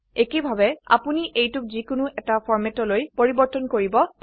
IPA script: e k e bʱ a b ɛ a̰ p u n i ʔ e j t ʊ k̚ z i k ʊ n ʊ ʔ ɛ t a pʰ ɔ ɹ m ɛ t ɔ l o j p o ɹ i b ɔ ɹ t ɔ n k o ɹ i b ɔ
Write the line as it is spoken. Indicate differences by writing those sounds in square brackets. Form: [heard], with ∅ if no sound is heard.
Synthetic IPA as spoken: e k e bʱ a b ɛ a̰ p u n i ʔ e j t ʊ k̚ z i k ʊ n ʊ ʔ ɛ t a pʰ ɔ ɹ m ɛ t ɔ l o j p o ɹ i b ɔ ɹ t ɔ n k o ɹ i b ɔ

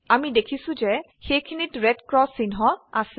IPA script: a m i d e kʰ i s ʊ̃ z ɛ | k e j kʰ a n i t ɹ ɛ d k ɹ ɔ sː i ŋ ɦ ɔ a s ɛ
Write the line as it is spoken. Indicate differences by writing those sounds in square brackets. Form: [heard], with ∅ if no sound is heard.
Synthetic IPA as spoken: a m i d e kʰ i s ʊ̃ z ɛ | [x] e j kʰ [i] n i t ɹ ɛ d k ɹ ɔ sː i [n] ɦ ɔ a s ɛ

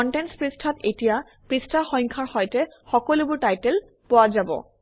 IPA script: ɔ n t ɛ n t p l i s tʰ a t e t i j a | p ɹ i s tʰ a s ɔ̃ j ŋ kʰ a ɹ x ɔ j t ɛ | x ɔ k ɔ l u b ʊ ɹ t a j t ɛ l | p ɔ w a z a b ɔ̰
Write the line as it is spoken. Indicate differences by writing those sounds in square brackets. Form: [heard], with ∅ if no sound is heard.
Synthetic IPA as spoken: ɔ n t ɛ n [s] p [ɹ] i s tʰ a t e t i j a | p ɹ i s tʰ a [x] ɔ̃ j ŋ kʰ a ɹ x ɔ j t ɛ | x ɔ k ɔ l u b ʊ ɹ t a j t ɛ l | p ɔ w a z a b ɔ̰

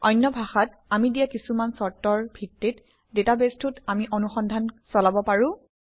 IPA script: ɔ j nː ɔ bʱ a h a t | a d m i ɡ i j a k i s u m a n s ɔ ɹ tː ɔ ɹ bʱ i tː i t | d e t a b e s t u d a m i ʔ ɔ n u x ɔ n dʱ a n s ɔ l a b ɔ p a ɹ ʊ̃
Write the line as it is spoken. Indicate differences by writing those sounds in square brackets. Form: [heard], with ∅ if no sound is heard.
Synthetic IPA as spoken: ɔ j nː ɔ bʱ a [x] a t | a [∅] m i [d] i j a k i s u m a n s ɔ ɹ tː ɔ ɹ bʱ i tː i t | d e t a b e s t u [t] a m i ʔ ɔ n u x ɔ n dʱ a n s ɔ l a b ɔ p a ɹ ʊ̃

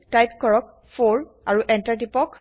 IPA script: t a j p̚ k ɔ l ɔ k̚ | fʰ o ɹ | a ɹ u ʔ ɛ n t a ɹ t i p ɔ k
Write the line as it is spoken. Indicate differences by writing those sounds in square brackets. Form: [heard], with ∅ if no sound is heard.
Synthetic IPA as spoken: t a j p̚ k ɔ [ɹ] ɔ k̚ | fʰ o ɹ | a ɹ u ʔ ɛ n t a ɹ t i p ɔ k

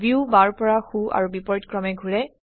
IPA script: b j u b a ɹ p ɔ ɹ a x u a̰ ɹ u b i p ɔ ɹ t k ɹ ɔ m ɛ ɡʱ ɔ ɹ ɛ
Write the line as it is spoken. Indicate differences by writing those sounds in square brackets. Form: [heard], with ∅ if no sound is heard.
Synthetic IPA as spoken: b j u b a ɹ p ɔ ɹ a x u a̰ ɹ u b i p ɔ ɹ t k ɹ ɔ m ɛ ɡʱ [u] ɹ ɛ

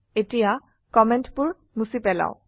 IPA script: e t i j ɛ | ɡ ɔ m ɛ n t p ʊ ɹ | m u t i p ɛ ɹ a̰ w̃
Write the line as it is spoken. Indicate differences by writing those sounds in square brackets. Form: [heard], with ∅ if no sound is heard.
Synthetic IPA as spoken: e t i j [a] | [k] ɔ m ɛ n t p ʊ ɹ | m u [s] i p ɛ [l] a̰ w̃

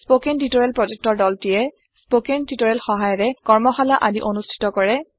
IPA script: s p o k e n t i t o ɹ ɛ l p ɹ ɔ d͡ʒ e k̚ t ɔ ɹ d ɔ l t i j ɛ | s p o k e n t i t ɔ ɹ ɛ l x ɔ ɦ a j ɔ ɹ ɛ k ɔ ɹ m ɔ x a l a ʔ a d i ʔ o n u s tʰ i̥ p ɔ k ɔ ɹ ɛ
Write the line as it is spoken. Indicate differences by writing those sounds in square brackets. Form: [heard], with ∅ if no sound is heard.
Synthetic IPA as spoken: s p o k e n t i t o ɹ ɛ l p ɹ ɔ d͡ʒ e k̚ t ɔ ɹ d ɔ l t i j ɛ | s p o k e n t i t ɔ ɹ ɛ l x ɔ ɦ a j ɔ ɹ ɛ k ɔ ɹ m ɔ x a l a ʔ a d i ʔ o n u s tʰ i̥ [t] ɔ k ɔ ɹ ɛ

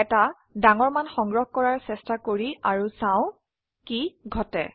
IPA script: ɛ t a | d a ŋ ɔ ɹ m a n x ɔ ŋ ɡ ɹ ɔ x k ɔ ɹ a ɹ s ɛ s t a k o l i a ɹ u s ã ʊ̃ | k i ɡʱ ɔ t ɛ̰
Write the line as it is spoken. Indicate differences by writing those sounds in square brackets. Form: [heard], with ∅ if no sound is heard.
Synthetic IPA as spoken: ɛ t a | d a ŋ ɔ ɹ m a n x ɔ ŋ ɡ ɹ ɔ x k ɔ ɹ a ɹ s ɛ s t a k o [ɹ] i a ɹ u s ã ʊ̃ | k i ɡʱ ɔ t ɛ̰

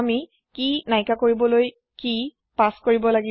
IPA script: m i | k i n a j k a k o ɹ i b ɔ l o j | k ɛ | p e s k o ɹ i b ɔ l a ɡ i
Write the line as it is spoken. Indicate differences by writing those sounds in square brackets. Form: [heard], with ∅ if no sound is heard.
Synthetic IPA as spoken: m i | k i n a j k a k o ɹ i b ɔ l o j | k [i] | p [a] s k o ɹ i b ɔ l a ɡ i

